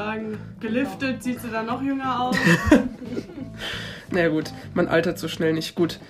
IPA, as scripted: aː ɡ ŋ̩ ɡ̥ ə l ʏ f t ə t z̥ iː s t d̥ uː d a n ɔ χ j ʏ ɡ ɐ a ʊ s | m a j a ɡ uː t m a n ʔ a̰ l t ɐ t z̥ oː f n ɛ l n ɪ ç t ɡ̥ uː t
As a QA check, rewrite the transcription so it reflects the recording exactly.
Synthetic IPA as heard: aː ɡ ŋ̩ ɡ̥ ə l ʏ f t ə t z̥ iː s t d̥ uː d a n ɔ χ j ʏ ŋ ɐ a ʊ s | n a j a ɡ uː t m a n ʔ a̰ l t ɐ t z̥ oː ʃ n ɛ l n ɪ ç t ɡ̥ uː t